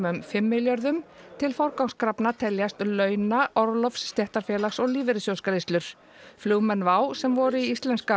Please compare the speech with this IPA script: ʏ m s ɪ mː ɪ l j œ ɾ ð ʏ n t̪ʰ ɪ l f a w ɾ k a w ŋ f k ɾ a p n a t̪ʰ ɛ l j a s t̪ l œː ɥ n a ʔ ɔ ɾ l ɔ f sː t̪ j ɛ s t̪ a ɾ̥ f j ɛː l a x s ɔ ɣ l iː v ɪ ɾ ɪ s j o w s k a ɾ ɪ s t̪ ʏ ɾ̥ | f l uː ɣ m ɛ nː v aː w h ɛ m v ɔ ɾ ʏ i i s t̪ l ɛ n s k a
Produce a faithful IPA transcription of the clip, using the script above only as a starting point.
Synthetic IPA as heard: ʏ m f ɪ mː ɪ l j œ ɾ ð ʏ m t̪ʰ ɪ l f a w ɾ k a w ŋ s k ɾ a p n a t̪ʰ ɛ l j a s t̪ l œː ɥ n a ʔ ɔ ɾ l ɔ f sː t̪ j ɛ h t̪ a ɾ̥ f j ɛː l a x s ɔ ɣ l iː v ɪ ɾ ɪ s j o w s k a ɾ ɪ s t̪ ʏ ɾ̥ | f l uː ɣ m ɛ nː v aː w s ɛ m v ɔ ɾ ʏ i i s t̪ l ɛ n s k a